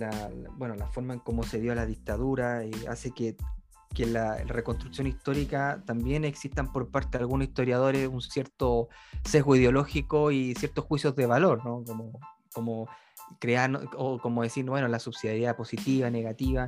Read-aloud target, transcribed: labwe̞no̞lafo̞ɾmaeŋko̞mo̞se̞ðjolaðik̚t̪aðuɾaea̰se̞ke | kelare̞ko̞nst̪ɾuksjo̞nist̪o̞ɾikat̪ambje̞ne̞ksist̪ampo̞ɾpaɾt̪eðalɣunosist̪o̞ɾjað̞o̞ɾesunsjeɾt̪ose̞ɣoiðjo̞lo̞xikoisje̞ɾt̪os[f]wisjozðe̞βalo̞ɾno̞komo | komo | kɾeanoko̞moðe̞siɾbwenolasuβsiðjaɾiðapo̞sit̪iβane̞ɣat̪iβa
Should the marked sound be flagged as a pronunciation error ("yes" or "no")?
yes